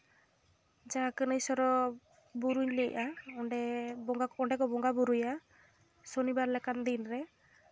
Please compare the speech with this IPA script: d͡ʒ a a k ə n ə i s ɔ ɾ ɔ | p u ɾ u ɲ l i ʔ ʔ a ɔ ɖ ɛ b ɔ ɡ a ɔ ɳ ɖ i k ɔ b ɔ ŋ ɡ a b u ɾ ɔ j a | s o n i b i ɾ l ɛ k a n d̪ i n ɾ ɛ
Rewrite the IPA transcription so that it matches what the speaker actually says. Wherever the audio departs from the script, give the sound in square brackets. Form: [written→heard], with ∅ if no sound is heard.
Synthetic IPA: d͡ʒ a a k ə n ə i s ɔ ɾ ɔ | [p→b] u ɾ u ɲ l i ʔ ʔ a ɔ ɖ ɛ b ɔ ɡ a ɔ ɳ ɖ [i→ɛ] k ɔ b ɔ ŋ ɡ a b u ɾ [ɔ→u] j a | s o n i b [i→a] ɾ l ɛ k a n d̪ i n ɾ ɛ

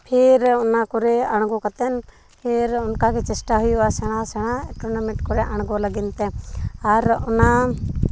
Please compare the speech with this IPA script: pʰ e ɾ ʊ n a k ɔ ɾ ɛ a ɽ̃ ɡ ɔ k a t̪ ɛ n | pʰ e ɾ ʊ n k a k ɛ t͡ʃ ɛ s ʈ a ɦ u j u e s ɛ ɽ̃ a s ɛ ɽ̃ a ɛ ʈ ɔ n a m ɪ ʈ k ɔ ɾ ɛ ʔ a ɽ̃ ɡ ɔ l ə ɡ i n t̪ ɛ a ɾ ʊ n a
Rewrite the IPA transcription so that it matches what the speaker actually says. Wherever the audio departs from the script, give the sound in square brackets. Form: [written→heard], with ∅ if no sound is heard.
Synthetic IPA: pʰ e ɾ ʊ n a k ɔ ɾ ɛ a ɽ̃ ɡ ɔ k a t̪ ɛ n | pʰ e ɾ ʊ n k a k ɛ t͡ʃ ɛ s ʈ a ɦ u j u [e→a] s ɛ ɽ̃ a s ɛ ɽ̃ a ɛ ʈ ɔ n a m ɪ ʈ k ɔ ɾ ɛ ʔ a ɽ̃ ɡ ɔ l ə ɡ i n t̪ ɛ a ɾ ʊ n a

